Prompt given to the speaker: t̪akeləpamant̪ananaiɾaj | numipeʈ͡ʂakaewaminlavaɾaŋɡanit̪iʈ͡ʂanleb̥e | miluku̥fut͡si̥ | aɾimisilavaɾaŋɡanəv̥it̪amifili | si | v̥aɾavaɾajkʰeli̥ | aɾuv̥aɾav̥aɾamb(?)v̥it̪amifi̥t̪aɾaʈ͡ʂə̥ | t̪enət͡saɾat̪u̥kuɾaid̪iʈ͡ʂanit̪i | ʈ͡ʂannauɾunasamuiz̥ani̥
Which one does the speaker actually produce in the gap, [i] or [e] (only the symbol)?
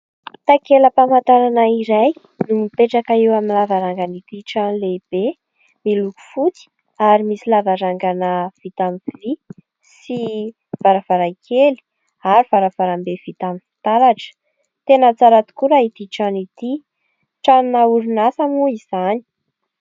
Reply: e